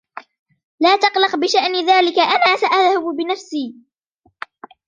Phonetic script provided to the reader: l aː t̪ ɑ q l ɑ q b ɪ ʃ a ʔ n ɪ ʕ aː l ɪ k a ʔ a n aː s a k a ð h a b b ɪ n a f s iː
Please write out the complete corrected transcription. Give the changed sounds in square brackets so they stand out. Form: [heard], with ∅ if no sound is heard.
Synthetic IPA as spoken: l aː t̪ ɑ q l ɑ q b ɪ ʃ a ʔ n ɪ [ð] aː l ɪ k a ʔ a n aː s a [ʔ] a ð h a b b ɪ n a f s iː